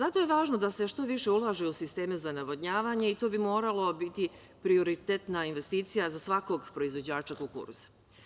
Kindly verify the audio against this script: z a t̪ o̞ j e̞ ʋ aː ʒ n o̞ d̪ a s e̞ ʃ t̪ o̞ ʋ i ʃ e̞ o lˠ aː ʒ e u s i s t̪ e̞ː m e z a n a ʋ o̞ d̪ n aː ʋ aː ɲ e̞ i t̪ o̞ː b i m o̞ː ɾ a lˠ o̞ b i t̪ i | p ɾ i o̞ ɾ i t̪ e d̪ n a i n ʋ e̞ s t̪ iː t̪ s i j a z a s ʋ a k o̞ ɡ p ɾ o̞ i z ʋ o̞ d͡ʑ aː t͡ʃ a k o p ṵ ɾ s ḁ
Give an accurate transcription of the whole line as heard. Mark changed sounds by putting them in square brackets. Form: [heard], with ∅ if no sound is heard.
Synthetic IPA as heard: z a t̪ o̞ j e̞ ʋ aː ʒ n o̞ d̪ a s e̞ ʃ t̪ o̞ ʋ i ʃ e̞ [u] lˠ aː ʒ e u s i s t̪ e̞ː m e z a n a ʋ o̞ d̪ [ɲ] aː ʋ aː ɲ e̞ i t̪ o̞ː b i m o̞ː ɾ a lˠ o̞ b i t̪ i | p ɾ i o̞ ɾ i t̪ e [t̪] n a i n ʋ e̞ s t̪ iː t̪ s i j a z a s ʋ a k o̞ ɡ p ɾ o̞ i z ʋ o̞ d͡ʑ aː t͡ʃ a k o [k] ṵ ɾ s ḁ